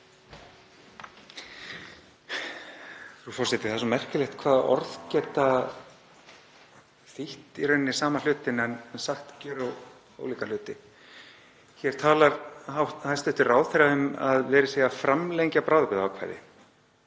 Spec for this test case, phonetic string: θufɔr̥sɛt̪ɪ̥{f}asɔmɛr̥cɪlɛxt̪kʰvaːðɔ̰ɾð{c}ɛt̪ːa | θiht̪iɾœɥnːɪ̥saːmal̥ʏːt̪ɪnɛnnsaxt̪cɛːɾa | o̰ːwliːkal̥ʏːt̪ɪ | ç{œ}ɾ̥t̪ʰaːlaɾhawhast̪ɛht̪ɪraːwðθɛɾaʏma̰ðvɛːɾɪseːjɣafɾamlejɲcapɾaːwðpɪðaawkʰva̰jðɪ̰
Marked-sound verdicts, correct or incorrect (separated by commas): incorrect, correct, incorrect